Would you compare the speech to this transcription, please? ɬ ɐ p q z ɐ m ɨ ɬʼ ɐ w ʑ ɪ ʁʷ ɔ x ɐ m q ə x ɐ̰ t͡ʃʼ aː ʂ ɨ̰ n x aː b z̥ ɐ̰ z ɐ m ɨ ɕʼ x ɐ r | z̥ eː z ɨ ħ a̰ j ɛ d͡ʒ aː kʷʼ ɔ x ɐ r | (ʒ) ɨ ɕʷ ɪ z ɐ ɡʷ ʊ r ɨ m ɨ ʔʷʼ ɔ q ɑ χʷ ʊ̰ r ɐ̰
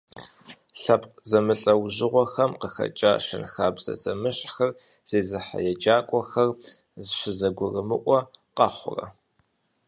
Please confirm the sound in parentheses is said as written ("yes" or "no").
no